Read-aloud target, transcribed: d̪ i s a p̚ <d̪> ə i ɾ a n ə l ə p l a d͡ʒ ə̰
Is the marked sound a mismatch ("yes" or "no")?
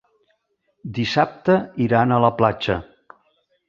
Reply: yes